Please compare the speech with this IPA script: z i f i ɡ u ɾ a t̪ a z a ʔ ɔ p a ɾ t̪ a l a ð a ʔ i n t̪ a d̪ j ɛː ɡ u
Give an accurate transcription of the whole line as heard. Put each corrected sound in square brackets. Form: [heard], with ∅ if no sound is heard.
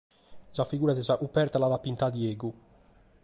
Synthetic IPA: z [a] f i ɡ [uː] ɾ a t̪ [ɛ] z a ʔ [u] p [ɛ] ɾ t̪ a l a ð a [p] i n t̪ a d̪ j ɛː ɡ u

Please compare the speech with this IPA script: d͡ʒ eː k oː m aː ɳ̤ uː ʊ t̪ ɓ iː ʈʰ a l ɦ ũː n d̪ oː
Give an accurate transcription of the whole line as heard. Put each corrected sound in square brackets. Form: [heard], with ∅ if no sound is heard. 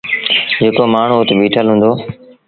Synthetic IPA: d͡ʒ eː k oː m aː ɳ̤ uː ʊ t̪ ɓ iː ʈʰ [ə] l ɦ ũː n d̪ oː

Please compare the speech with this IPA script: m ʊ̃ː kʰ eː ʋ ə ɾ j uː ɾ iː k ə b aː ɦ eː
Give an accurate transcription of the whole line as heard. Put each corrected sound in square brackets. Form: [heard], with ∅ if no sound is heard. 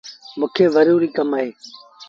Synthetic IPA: m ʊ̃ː kʰ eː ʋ ə ɾ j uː ɾ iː k ə [m] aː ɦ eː

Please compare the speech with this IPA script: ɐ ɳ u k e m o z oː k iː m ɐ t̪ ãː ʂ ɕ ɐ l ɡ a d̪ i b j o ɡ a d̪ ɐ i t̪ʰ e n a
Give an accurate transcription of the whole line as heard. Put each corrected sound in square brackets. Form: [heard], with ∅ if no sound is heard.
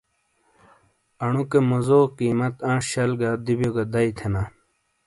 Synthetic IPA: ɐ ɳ u k e m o z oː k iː m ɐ t̪ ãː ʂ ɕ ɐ l ɡ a d̪ i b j o ɡ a d̪ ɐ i t̪ʰ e n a

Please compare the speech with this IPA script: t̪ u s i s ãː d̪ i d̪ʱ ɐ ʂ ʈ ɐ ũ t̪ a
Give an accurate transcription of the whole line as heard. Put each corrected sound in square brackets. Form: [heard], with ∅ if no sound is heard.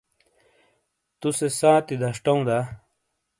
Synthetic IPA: t̪ u s [e] s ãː [t̪] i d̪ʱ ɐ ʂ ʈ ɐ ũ [d̪] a

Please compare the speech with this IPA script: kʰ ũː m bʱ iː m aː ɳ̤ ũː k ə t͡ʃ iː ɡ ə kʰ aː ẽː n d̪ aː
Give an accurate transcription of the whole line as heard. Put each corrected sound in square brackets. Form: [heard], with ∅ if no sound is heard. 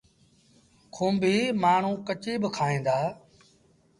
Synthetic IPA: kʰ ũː m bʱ iː m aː ɳ̤ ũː k ə t͡ʃ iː [b] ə kʰ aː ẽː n d̪ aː

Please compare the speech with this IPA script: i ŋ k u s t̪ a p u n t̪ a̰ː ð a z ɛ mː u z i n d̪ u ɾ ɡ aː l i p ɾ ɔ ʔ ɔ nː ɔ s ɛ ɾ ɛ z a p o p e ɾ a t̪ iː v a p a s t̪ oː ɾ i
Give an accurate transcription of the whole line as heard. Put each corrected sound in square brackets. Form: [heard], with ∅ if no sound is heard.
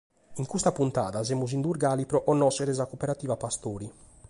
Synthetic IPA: i ŋ k u s t̪ a p u n t̪ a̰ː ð a z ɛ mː u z i n d̪ u ɾ ɡ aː l i p ɾ ɔ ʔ ɔ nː ɔ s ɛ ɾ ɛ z a [k] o p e ɾ a t̪ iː v a p a s t̪ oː ɾ i

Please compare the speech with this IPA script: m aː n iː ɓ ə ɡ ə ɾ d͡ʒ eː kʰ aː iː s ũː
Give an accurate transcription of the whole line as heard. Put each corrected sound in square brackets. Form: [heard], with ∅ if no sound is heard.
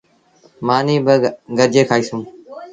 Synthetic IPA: m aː n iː [b] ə ɡ ə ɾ d͡ʒ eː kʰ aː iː s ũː

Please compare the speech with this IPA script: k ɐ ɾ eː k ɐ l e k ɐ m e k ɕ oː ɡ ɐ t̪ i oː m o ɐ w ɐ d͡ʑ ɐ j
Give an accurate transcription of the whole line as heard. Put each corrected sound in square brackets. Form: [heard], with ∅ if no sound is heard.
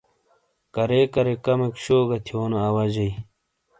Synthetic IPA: k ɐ ɾ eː k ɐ [ɾ] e k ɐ m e k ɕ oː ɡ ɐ [t̪ʰ] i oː [n] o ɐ w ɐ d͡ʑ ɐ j

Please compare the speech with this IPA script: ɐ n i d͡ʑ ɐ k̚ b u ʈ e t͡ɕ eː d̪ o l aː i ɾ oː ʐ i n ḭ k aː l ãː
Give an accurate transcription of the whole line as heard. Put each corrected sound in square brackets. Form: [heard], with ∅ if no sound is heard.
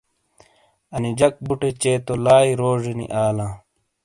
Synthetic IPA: ɐ n i d͡ʑ ɐ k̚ b u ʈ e t͡ɕ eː [t̪] o l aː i ɾ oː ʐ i n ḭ [ʔ] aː l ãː

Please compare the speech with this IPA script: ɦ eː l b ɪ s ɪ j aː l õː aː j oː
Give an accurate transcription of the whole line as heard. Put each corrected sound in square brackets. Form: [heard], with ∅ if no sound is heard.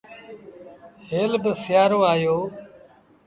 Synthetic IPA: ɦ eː l b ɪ s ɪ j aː [ɾ] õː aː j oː

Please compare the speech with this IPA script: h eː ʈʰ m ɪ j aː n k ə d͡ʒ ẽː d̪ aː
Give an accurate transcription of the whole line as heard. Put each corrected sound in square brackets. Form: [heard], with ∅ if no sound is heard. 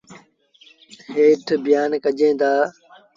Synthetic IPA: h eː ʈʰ [b] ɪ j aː n k ə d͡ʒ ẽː d̪ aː

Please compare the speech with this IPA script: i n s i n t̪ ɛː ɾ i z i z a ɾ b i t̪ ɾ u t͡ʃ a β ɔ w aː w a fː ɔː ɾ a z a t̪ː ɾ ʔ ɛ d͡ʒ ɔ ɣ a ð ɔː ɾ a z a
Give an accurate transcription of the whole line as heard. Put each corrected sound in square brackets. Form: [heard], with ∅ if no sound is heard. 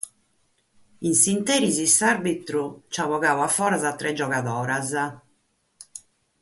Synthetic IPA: i n s i n t̪ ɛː ɾ i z i [s] a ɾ b i t̪ ɾ u t͡ʃ a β ɔ [ɣ] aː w a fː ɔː ɾ a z a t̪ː ɾ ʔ ɛ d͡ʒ ɔ ɣ a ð ɔː ɾ a z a

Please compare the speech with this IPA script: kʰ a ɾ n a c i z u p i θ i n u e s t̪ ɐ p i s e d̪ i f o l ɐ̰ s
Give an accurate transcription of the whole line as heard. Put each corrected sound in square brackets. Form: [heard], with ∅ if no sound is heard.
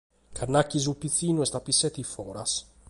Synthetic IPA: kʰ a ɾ n a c i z u p i θ i n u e s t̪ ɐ p i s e [t̪] i f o [ɾ] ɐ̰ s

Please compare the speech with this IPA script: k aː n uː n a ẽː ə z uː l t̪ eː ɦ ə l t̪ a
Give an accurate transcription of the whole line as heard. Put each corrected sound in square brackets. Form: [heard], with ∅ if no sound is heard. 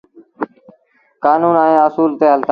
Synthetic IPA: k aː n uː n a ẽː ə [s] uː l t̪ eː ɦ ə l t̪ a

